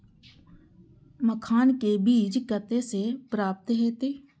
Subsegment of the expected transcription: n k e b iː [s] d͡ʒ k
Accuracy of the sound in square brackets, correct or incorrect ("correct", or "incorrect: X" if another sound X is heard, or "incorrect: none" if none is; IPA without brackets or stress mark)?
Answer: incorrect: none